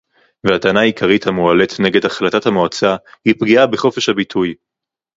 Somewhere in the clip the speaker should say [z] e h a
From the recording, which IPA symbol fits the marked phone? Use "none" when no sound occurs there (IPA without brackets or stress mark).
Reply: v